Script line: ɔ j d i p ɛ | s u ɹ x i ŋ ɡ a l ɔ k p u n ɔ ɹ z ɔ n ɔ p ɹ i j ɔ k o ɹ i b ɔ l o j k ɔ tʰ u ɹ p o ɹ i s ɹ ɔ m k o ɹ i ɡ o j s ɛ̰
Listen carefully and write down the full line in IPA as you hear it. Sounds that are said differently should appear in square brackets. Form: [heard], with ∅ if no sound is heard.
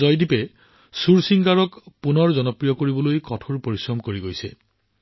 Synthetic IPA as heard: ɔ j d i p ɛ | s u ɹ [s] i ŋ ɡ a [ɹ] ɔ k p u n ɔ ɹ z ɔ n ɔ p ɹ i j ɔ k o ɹ i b ɔ l o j k ɔ tʰ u ɹ p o ɹ i s ɹ ɔ m k o ɹ i ɡ o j s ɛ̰